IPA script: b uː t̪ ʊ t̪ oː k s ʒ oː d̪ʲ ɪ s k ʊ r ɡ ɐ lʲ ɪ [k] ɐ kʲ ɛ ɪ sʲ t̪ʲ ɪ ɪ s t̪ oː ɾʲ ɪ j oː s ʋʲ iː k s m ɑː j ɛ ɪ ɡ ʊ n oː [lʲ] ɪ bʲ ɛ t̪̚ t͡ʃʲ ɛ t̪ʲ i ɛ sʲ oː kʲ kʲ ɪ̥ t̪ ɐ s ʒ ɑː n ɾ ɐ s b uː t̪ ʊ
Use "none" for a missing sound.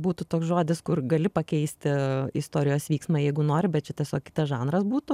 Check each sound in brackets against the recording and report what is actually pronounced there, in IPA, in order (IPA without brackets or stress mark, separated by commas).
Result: p, ɾʲ